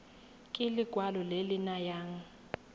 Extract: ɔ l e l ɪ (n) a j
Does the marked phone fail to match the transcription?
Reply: no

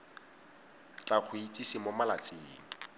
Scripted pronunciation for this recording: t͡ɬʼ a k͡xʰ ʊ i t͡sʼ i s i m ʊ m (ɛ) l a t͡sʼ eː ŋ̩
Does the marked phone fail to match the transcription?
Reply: yes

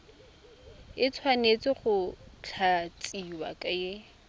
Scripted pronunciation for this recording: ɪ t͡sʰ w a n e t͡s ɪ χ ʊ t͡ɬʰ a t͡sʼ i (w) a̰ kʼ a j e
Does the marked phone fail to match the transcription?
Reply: no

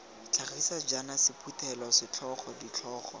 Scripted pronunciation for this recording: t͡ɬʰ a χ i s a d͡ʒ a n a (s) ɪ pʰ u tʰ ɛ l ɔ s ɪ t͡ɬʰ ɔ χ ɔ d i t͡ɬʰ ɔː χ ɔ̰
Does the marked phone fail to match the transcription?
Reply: no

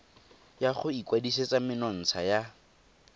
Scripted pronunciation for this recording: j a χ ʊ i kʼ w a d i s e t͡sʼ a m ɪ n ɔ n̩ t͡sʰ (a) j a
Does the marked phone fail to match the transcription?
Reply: no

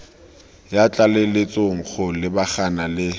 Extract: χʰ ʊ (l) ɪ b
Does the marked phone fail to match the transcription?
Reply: no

